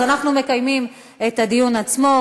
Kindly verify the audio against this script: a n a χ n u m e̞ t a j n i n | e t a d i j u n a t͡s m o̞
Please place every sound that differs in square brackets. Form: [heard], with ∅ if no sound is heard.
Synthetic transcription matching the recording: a n a χ n u m e̞ [k] a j [m] i [m] | e t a d i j u n a t͡s m o̞